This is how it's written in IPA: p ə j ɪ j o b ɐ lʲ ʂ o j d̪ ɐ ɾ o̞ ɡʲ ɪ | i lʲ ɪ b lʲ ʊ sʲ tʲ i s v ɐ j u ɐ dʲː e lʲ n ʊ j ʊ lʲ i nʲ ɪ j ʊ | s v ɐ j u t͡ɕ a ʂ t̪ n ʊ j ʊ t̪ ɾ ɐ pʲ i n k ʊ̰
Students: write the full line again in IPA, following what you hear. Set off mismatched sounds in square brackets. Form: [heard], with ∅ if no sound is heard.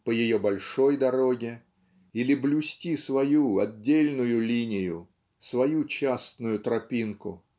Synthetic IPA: p ə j ɪ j o b ɐ lʲ ʂ o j d̪ ɐ ɾ o̞ ɡʲ ɪ | i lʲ ɪ b lʲ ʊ sʲ tʲ i s v ɐ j u ɐ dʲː e lʲ n ʊ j ʊ lʲ i nʲ ɪ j ʊ | s v ɐ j u t͡ɕ a [s] t̪ n ʊ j ʊ t̪ ɾ ɐ pʲ i n k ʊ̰